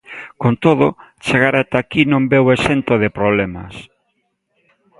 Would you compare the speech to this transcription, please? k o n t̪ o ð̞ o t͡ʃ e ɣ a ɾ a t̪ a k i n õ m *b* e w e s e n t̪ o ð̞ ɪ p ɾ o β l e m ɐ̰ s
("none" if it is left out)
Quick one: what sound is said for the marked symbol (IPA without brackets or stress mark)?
b